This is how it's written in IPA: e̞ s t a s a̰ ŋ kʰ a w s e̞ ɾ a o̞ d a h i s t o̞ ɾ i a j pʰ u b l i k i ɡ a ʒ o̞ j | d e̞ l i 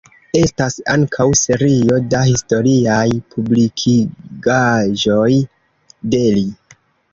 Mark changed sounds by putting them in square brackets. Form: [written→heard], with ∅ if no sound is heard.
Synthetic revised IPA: e̞ s t a s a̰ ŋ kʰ a w s e̞ ɾ [a→i] o̞ d a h i s t o̞ ɾ i a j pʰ u b l i [k→kʰ] i ɡ a ʒ o̞ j | d e̞ l i